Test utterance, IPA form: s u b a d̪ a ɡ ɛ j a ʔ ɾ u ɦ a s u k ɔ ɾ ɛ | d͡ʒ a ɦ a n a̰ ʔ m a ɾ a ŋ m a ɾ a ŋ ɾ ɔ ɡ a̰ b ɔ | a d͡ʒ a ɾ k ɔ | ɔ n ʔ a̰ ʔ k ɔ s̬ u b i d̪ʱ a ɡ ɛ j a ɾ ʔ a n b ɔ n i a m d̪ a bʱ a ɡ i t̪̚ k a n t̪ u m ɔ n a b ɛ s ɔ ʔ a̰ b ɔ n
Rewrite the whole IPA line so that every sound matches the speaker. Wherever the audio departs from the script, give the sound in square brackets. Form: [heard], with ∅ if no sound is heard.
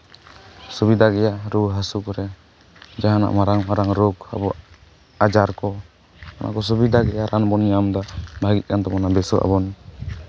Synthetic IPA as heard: s u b [i] d̪ a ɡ ɛ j a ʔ ɾ u ɦ a s u k ɔ ɾ ɛ | d͡ʒ a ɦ a n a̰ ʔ m a ɾ a ŋ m a ɾ a ŋ ɾ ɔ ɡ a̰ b ɔ | a d͡ʒ a ɾ k ɔ | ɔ n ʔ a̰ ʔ k ɔ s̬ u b i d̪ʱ a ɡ ɛ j a ɾ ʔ a n b ɔ n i a m d̪ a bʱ a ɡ i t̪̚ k a n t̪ [ɔ] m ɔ n a b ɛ s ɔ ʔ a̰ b ɔ n